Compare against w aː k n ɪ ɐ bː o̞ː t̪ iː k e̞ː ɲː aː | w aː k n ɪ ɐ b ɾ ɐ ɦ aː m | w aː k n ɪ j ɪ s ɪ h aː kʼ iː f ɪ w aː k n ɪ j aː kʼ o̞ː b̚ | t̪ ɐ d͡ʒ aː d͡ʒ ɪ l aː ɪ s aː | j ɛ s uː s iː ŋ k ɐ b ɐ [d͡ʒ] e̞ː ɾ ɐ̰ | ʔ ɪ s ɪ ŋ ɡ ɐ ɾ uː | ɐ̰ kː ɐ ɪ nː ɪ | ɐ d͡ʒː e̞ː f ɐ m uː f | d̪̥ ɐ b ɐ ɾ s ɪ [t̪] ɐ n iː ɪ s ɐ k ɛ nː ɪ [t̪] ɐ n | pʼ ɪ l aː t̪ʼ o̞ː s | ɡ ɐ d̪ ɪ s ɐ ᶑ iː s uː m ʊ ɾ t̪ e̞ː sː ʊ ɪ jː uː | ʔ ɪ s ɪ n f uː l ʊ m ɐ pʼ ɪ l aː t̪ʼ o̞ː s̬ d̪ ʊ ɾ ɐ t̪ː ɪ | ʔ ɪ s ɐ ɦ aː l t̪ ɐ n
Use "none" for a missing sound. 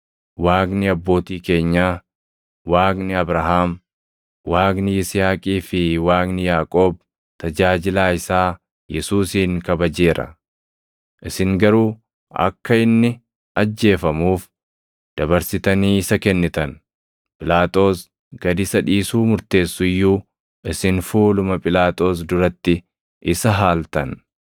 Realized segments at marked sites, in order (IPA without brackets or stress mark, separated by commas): d͡ʒ, t̪, t̪